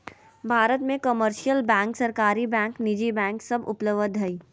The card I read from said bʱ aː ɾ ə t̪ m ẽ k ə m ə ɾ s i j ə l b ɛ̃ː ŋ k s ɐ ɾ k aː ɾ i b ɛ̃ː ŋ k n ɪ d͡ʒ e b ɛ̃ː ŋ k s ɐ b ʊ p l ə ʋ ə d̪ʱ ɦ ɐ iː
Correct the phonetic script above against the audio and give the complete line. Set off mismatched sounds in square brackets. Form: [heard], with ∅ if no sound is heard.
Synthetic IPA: bʱ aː ɾ ə t̪ m ẽ k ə m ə ɾ [ʃ] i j ə l b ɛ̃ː ŋ k s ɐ ɾ k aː ɾ i b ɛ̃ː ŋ k n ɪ d͡ʒ [i] b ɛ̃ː ŋ k s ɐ b ʊ p l ə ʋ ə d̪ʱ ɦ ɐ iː